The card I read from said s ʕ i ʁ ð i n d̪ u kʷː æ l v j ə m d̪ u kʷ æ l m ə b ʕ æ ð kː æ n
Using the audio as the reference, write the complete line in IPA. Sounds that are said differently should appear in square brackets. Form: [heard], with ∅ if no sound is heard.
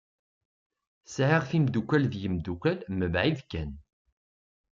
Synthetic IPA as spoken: s ʕ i ʁ [θ] i [m] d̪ u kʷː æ l [ð] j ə m d̪ u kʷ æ l m ə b ʕ [i] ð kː æ n